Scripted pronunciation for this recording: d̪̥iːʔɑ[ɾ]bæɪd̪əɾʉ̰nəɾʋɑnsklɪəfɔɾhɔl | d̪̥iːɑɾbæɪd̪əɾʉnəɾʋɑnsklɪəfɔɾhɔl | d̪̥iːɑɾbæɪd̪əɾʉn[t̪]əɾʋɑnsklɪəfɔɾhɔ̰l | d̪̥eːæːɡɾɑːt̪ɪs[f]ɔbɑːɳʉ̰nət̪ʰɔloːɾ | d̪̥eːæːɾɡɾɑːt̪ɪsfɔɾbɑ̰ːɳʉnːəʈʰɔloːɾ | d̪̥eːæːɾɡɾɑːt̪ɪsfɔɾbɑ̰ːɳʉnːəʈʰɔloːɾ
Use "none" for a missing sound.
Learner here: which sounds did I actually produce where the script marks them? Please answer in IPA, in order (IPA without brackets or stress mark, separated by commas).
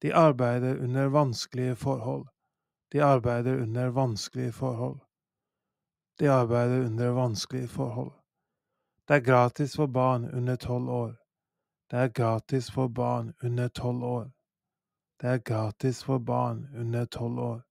ɾ, d̪, f